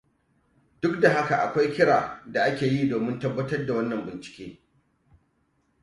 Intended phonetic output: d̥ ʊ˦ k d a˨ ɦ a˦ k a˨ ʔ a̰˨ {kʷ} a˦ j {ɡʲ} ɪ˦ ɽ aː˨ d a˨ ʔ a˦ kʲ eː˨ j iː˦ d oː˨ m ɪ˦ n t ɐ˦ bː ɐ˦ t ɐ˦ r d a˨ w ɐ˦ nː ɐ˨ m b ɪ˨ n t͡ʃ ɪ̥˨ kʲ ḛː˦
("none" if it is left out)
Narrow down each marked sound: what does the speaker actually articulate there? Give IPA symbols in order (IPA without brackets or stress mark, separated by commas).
kʷ, kʲ